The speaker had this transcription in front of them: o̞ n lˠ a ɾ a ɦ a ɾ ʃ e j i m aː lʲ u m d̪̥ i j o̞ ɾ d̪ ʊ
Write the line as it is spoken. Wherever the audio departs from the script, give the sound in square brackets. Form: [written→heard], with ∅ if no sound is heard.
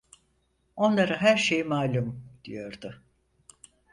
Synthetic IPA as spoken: o̞ n lˠ a ɾ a ɦ [a→æ] ɾ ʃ e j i m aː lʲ u m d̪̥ i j o̞ ɾ d̪ ʊ